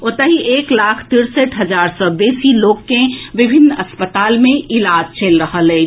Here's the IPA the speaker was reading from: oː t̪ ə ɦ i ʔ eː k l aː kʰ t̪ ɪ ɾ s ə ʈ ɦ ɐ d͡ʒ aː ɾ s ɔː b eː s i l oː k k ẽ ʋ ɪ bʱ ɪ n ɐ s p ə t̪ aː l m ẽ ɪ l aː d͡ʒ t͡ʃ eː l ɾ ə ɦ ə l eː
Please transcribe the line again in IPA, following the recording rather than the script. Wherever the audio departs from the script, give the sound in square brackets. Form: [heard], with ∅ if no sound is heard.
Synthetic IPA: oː t̪ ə ɦ i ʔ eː k l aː kʰ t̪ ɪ ɾ s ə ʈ ɦ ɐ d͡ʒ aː ɾ s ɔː b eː s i l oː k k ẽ ʋ ɪ bʱ ɪ n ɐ s p ə t̪ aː l m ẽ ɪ l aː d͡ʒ t͡ʃ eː l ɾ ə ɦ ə l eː